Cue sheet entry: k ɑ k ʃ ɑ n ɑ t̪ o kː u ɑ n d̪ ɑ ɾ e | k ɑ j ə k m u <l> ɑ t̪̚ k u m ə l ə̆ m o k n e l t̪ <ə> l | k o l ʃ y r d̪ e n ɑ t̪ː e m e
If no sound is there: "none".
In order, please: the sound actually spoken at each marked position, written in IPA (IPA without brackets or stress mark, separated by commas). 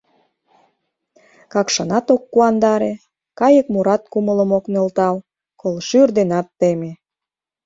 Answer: ɾ, ɑ